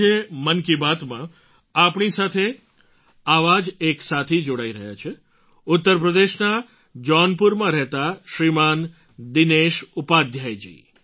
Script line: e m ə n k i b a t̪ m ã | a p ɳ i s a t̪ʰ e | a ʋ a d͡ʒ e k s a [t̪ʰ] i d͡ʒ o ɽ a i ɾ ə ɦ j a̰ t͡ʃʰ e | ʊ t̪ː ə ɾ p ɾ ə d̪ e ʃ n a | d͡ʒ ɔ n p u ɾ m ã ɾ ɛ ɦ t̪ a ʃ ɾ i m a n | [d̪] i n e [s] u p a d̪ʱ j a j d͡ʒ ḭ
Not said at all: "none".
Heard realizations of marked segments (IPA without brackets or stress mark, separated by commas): t̪ʰ, d̪, ʃ